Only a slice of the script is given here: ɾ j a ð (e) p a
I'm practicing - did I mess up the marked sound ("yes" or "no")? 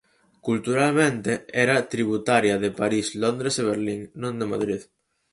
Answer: no